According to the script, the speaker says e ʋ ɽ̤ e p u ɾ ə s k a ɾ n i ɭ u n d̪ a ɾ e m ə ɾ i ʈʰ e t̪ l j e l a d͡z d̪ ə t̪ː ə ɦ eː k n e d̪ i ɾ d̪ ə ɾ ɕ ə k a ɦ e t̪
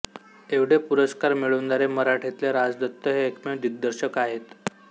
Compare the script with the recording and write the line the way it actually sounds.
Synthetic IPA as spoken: e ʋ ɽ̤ e p u ɾ ə s k a ɾ m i ɭ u n d̪ a ɾ e m ə ɾ a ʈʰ e t̪ l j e ɾ a d͡z d̪ ə t̪ː ə ɦ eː k m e d̪ i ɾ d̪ ə ɾ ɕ ə k a ɦ e t̪